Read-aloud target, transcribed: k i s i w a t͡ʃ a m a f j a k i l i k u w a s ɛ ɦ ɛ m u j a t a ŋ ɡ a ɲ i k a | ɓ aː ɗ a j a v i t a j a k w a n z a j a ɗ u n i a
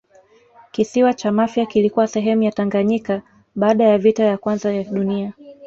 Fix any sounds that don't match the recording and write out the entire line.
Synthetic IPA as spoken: k i s i w a t͡ʃ a m a f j a k i l i k u w a s ɛ ɦ ɛ m u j a t a ŋ ɡ a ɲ i k a | ɓ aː ɗ a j a v i t a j a k w a n z a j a ɗ u n i a